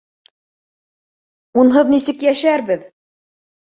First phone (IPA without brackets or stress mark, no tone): u